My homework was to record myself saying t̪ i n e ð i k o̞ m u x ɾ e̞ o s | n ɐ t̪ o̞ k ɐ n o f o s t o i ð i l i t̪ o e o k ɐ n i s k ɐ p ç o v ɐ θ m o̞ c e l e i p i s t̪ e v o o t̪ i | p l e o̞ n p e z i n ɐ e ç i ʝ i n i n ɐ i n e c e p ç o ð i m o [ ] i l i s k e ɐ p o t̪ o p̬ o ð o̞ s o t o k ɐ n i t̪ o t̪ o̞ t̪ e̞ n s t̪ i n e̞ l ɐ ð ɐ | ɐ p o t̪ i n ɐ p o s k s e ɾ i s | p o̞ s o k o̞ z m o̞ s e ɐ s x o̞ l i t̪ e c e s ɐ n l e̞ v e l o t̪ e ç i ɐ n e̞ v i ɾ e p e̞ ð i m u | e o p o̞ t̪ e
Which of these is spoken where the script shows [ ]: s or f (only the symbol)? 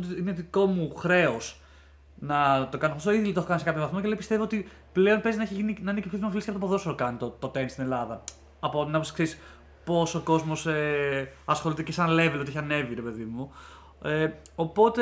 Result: f